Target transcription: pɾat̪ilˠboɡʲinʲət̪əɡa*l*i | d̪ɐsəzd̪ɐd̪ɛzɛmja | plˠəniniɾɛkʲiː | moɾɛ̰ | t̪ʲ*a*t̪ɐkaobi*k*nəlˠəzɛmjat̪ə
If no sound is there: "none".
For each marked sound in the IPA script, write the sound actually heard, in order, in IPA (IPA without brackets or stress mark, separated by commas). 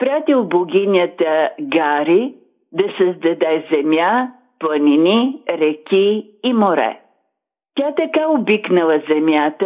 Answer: ɾ, a, k